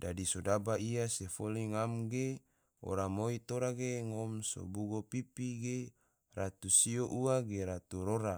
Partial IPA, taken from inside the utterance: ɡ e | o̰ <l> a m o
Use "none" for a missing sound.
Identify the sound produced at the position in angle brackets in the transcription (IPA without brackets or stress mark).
ɾ